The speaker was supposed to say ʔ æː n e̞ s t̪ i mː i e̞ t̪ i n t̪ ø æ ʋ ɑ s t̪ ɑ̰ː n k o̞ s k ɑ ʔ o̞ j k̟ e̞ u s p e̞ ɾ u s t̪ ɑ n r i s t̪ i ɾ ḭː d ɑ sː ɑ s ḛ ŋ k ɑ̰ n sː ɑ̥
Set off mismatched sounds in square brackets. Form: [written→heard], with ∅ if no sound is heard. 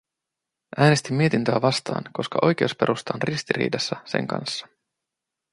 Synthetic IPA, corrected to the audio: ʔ æː n e̞ s t̪ i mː i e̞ t̪ i n t̪ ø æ ʋ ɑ s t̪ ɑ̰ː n k o̞ s k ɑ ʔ o̞ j k̟ e̞ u s p e̞ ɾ u s t̪ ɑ n r i s t̪ i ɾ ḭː d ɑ sː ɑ s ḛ ŋ k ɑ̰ n sː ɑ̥

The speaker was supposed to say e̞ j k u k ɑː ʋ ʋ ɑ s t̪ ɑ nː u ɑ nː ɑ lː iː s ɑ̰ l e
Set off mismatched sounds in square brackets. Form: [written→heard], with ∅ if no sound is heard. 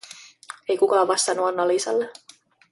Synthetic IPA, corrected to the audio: e̞ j k u k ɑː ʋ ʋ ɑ s t̪ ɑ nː u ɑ nː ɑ [lː→l] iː s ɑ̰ [l→lː] e

